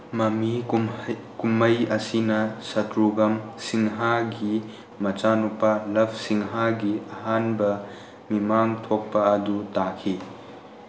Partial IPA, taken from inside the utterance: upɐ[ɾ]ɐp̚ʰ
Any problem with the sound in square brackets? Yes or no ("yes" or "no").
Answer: yes